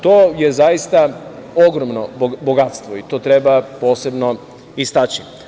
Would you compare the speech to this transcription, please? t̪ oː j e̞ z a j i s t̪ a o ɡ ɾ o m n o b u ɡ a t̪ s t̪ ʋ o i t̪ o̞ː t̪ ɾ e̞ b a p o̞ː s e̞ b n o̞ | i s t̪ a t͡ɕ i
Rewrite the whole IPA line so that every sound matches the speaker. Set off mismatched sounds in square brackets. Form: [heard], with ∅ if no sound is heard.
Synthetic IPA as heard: t̪ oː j e̞ z a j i s t̪ a o ɡ ɾ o m n o b [o] ɡ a t̪ s t̪ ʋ o i t̪ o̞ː t̪ ɾ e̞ b a p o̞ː s e̞ b n o̞ | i s t̪ a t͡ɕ i